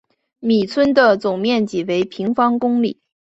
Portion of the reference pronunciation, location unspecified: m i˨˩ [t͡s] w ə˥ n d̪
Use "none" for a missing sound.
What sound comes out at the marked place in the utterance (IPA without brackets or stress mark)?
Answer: t͡sʰ